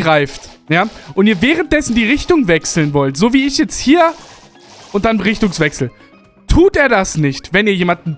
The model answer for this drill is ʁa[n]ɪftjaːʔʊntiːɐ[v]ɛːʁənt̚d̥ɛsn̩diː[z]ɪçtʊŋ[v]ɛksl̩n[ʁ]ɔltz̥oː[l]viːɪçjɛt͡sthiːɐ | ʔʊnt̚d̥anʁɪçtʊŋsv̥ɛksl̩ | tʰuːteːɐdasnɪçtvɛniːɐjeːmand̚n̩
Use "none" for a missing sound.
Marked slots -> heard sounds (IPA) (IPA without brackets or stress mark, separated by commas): none, v, ʁ, v, v, none